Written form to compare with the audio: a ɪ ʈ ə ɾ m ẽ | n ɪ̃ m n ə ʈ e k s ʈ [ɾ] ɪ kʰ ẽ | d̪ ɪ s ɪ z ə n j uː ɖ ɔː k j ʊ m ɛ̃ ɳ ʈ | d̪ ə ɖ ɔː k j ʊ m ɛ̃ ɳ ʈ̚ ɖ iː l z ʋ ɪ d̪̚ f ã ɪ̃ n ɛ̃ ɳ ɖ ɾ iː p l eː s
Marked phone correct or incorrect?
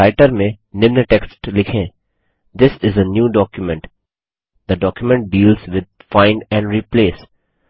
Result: incorrect